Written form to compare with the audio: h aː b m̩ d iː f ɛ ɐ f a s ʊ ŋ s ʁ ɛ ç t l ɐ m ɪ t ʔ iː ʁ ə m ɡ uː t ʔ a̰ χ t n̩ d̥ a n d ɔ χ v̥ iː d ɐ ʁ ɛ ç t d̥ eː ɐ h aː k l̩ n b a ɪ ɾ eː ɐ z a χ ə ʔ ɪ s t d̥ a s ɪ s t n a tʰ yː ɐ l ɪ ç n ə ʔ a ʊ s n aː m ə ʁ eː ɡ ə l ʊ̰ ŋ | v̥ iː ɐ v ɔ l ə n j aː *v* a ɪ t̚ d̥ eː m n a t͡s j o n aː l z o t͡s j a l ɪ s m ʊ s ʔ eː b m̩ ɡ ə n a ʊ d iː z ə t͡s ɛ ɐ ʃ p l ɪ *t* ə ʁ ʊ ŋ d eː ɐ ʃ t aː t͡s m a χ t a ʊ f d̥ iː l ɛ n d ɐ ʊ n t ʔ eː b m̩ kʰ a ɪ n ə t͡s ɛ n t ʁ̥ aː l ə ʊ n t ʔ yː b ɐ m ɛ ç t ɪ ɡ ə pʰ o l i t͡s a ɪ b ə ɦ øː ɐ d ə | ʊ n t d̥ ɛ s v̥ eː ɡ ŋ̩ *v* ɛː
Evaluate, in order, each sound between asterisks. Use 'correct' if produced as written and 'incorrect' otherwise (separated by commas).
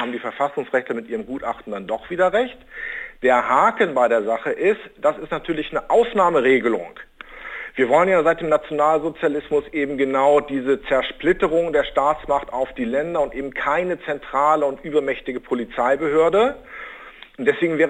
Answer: incorrect, correct, correct